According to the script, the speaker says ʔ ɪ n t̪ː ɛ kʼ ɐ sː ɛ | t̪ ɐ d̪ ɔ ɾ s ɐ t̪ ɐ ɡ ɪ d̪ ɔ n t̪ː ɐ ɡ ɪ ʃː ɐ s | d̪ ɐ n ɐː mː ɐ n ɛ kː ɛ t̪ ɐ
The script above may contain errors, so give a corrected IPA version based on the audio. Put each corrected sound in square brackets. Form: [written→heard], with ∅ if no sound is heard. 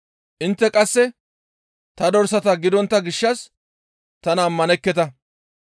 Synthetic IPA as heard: ʔ ɪ n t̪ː ɛ kʼ ɐ sː ɛ | t̪ ɐ d̪ ɔ ɾ s ɐ t̪ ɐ ɡ ɪ d̪ ɔ n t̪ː ɐ ɡ ɪ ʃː ɐ s | [d̪→t̪] ɐ n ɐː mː ɐ n ɛ kː ɛ t̪ ɐ